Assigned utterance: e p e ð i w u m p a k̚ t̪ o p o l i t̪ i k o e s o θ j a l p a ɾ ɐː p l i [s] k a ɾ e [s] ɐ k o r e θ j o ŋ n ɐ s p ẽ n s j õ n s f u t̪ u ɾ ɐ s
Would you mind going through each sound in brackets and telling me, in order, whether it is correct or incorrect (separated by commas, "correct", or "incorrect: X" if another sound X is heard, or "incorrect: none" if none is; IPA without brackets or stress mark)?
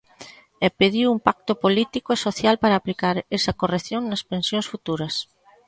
incorrect: none, correct